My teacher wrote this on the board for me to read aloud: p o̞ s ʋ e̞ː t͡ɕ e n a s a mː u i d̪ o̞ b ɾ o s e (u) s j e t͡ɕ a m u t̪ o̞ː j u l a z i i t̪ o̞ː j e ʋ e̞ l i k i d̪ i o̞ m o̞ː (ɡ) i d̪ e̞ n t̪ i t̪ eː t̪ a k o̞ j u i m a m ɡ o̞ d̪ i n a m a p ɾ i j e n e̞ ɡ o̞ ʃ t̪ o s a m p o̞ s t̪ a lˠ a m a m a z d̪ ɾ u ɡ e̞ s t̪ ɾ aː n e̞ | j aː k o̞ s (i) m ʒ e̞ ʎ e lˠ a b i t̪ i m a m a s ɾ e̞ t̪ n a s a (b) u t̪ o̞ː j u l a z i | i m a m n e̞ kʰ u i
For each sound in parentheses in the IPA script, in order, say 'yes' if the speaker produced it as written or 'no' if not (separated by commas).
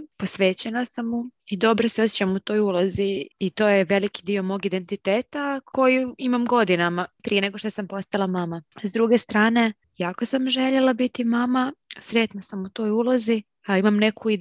no, yes, no, no